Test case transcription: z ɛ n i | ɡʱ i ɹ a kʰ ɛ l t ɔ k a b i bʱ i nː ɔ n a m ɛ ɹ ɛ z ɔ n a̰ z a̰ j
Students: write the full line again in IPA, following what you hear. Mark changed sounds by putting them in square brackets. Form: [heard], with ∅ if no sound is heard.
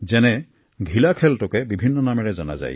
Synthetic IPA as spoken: z ɛ n [ɛ] | ɡʱ i [l] a kʰ ɛ l t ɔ k [ɛ] b i bʱ i nː ɔ n a m ɛ ɹ ɛ z ɔ n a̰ z a̰ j